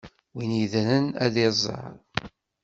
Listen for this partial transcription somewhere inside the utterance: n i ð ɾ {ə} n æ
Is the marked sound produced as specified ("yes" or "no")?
yes